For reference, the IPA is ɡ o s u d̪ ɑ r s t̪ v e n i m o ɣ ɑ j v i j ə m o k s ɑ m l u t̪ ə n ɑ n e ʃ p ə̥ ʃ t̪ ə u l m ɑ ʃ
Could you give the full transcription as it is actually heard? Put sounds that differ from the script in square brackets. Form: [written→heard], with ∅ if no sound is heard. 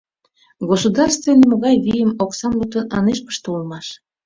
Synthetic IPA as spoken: ɡ o s u d̪ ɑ r s t̪ v e n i m o ɣ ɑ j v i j ə m o k s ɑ m l u t̪ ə n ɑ n e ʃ p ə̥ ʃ t̪ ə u l m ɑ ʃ